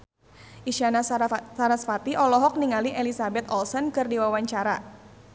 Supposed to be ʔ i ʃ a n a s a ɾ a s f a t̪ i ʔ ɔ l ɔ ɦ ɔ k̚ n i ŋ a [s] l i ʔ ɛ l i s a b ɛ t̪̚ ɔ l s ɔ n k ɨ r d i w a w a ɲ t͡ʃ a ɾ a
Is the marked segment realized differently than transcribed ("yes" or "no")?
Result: yes